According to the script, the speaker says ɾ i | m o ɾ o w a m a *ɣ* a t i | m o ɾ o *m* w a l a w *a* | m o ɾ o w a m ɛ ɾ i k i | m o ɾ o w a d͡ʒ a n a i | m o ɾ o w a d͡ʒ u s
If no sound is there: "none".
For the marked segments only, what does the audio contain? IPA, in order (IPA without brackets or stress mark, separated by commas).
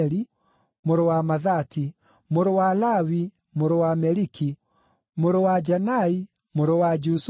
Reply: ð, none, i